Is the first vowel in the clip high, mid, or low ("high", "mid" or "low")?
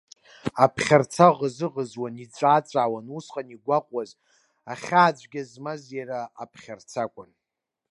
low